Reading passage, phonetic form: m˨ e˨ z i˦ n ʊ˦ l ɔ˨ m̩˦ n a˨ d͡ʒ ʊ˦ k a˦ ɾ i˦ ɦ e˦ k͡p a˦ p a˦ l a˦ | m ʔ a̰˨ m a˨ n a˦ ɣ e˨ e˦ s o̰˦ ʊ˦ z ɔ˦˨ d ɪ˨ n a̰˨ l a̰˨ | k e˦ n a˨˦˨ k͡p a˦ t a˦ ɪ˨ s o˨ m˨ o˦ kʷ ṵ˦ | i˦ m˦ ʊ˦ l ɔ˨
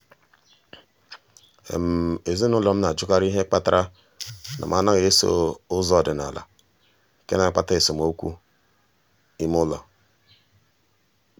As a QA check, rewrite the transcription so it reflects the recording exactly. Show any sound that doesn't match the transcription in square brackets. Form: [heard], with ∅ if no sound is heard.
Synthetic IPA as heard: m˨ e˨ z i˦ n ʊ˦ l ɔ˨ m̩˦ n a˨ d͡ʒ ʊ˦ k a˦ ɾ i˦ ɦ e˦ k͡p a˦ [t] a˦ [ɾ] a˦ | [n] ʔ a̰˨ m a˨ n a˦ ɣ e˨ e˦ s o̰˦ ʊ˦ z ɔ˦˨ d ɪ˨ n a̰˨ l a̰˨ | k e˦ n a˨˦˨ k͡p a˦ t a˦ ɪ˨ s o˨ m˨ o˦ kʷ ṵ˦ | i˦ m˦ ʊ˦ l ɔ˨